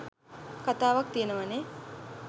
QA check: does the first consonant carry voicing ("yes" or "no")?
no